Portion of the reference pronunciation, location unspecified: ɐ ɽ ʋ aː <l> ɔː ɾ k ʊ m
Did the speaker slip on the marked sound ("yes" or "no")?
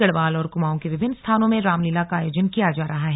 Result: no